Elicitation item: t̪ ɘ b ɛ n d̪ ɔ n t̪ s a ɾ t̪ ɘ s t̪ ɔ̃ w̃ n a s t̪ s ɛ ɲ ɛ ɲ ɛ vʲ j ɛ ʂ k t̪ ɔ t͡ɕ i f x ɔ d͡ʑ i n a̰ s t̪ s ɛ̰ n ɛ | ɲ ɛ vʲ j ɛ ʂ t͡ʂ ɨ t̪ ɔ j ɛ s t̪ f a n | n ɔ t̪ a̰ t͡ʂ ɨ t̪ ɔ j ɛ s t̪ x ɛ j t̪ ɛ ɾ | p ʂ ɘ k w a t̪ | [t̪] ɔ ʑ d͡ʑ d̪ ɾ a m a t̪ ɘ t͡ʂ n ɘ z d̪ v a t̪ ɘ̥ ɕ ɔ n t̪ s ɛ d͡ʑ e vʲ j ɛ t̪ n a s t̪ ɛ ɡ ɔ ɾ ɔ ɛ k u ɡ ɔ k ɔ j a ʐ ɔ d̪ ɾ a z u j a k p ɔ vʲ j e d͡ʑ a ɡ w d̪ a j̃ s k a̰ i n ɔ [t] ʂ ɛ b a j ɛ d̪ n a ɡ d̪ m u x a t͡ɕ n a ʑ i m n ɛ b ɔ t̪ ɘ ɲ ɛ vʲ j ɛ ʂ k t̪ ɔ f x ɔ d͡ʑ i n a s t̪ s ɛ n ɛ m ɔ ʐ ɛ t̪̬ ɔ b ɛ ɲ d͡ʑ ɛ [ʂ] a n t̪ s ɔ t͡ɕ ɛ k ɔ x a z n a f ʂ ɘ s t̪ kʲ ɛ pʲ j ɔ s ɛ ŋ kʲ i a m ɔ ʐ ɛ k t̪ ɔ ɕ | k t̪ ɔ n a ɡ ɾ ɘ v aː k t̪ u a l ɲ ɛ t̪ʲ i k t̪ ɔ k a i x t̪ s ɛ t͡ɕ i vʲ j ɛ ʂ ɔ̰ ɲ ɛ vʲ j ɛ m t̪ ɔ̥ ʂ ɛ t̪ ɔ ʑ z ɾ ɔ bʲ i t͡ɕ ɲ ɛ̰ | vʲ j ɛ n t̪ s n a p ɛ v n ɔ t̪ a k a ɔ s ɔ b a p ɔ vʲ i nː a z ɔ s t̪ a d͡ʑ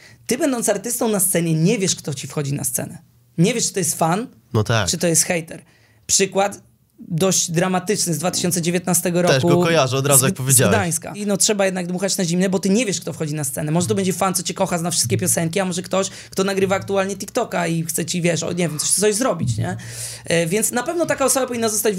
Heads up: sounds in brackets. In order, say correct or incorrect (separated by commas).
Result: incorrect, correct, incorrect